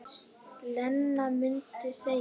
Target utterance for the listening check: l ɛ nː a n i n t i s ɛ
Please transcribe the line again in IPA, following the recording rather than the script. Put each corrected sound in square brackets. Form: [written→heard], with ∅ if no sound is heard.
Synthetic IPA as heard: l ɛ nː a [n→m] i n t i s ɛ

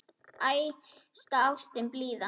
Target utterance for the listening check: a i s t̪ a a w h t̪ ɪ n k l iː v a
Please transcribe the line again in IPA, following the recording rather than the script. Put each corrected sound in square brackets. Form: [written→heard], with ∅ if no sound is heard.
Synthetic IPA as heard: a [i→j] s t̪ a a w [h→s] t̪ ɪ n [k→p] l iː [v→ð] a

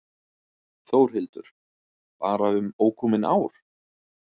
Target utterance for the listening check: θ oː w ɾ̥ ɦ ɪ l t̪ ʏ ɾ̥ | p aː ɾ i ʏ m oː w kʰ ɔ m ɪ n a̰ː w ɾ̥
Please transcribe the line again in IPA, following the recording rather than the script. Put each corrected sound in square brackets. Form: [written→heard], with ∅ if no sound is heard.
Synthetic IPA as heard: θ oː w ɾ̥ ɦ ɪ l t̪ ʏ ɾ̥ | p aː ɾ [i→a] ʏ m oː w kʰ ɔ m ɪ n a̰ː w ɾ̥

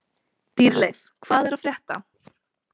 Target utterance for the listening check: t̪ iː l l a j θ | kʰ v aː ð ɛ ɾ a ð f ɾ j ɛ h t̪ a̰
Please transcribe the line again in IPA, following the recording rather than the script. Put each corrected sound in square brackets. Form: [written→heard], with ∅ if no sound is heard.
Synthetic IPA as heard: t̪ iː [l→ɾ] l [a→e] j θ | kʰ v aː ð ɛ ɾ a ð f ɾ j ɛ h t̪ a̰

